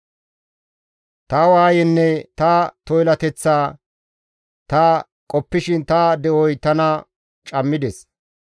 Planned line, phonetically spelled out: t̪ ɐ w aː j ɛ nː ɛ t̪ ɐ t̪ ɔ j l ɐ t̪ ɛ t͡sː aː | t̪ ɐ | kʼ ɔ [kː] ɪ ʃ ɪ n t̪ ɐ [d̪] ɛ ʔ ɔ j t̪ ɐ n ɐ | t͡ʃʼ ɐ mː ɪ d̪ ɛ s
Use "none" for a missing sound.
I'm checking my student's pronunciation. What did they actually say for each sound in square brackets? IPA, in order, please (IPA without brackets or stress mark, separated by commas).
pː, d̪